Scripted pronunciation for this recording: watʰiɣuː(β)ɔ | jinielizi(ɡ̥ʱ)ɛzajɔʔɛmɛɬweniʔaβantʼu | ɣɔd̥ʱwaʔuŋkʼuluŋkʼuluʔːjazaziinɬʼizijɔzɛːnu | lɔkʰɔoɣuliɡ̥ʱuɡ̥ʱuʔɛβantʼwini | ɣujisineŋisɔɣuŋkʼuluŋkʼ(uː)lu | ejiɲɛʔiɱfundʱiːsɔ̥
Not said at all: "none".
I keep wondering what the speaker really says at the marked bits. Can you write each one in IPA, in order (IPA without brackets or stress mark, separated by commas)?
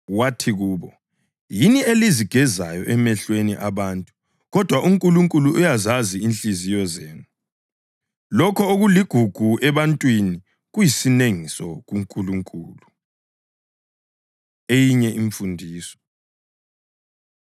β, ɡ̥ʱ, uː